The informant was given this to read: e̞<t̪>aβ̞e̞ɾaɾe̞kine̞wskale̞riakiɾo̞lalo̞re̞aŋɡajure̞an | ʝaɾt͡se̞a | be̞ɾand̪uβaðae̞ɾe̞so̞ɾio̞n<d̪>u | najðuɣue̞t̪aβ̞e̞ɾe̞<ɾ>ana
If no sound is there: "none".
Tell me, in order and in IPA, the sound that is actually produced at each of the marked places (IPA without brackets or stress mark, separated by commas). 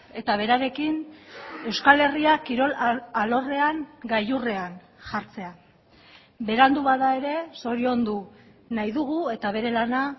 t̪, d̪, l